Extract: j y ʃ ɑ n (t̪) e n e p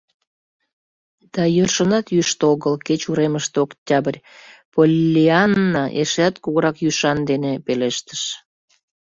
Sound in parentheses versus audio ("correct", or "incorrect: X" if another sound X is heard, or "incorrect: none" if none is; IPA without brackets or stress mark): incorrect: d̪